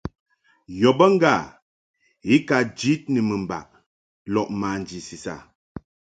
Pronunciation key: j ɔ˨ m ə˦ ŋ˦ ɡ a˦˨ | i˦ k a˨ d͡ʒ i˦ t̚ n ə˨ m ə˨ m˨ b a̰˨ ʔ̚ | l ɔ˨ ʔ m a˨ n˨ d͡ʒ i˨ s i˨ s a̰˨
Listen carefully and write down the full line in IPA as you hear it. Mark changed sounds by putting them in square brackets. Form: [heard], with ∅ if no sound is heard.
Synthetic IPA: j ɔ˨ [b] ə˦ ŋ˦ ɡ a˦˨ | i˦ k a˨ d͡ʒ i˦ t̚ n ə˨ m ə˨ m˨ b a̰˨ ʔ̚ | l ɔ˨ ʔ m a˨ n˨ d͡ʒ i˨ s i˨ s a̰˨